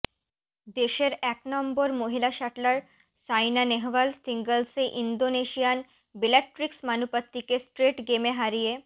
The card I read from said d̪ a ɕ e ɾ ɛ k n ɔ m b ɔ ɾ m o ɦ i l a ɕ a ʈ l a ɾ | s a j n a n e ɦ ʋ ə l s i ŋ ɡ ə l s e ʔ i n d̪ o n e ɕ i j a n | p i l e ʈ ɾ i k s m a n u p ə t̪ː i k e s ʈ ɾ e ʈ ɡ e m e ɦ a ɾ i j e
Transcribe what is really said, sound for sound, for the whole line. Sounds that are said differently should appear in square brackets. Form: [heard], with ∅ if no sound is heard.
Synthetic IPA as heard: d̪ [e] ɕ e ɾ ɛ k n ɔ m b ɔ ɾ m o ɦ i l a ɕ a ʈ l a ɾ | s a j n a n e ɦ ʋ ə l s i ŋ ɡ ə l s e ʔ i n d̪ o n e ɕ i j a n | [b] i l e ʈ ɾ i k s m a n u p ə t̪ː i k e s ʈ ɾ e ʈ ɡ e m e ɦ a ɾ i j e

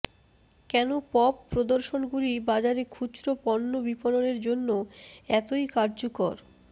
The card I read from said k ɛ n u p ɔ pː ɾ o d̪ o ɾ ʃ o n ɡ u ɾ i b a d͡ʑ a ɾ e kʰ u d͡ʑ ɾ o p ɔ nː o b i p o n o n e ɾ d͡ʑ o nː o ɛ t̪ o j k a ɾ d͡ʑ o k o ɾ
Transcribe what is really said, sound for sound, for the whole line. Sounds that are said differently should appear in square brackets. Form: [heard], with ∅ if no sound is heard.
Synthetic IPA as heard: k ɛ n [o] p ɔ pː ɾ o d̪ o ɾ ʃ o n ɡ u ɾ i b a d͡ʑ a ɾ e kʰ u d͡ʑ ɾ o p ɔ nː o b i p o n o n e ɾ d͡ʑ o nː o ɛ t̪ o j k a ɾ d͡ʑ o k o ɾ

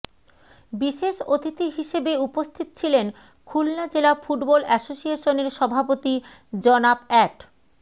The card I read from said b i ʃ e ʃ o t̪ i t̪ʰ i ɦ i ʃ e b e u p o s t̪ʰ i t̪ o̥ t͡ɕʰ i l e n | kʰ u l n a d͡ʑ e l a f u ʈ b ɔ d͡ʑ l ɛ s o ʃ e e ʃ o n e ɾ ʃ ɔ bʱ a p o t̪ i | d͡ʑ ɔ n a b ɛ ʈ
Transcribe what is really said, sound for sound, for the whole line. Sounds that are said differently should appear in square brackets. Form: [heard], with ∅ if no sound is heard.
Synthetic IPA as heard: b i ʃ e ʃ o t̪ i [t̪] i ɦ i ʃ e b e u p o s t̪ʰ i t̪ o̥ t͡ɕʰ i l e n | kʰ u l n a d͡ʑ e l a f u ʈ b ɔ [∅] l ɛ s o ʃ [i] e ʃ o n e ɾ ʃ ɔ bʱ a p o t̪ i | d͡ʑ ɔ n a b ɛ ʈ

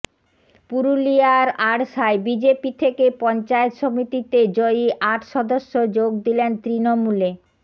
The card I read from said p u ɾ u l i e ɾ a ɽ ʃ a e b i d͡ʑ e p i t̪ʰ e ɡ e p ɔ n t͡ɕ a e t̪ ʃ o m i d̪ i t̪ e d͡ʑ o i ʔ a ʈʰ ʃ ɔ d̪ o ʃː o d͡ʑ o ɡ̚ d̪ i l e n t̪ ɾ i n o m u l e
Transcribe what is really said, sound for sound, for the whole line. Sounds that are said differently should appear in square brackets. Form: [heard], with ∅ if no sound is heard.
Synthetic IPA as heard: p u ɾ u l i [a] ɾ a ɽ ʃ a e b i d͡ʑ e p i t̪ʰ e [k] e p ɔ n t͡ɕ a e t̪ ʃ o m i [t̪] i t̪ e d͡ʑ o i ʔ a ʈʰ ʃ ɔ d̪ o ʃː o d͡ʑ o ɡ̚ d̪ i l e n t̪ ɾ i n o m u l e

